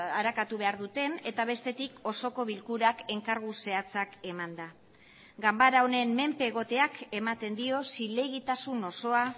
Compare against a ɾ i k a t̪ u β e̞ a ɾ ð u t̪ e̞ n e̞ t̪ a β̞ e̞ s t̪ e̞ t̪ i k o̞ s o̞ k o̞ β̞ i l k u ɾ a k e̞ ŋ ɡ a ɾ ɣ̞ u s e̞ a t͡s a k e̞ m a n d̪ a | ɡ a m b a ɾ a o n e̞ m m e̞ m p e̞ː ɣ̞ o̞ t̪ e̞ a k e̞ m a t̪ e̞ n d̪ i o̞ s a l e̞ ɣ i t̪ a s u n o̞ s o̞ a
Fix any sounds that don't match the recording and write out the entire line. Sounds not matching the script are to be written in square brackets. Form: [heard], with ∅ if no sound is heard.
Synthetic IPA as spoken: a ɾ [a] k a t̪ u β e̞ a ɾ ð u t̪ e̞ n e̞ t̪ a β̞ e̞ s t̪ e̞ t̪ i k o̞ s o̞ k o̞ β̞ i l k u ɾ a k e̞ ŋ [k] a ɾ ɣ̞ u s e̞ a t͡s a k e̞ m a n d̪ a | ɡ a m b a ɾ a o n e̞ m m e̞ m p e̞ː ɣ̞ o̞ t̪ e̞ a k e̞ m a t̪ e̞ n d̪ i o̞ s [i] l e̞ ɣ i t̪ a s u n o̞ s o̞ a